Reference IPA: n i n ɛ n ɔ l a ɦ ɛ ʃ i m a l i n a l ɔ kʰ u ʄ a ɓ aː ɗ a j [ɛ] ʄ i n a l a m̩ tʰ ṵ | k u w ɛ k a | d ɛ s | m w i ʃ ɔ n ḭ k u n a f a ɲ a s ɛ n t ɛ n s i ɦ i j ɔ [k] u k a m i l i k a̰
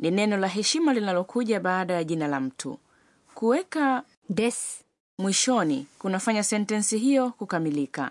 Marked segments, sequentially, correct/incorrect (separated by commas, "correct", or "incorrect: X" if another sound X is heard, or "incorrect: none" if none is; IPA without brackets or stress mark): incorrect: a, correct